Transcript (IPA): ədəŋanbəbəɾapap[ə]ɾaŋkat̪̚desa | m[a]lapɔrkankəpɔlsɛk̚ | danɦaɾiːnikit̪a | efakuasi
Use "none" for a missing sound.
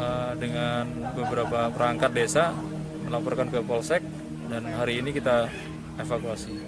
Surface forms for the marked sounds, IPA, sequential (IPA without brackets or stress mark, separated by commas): ə, ə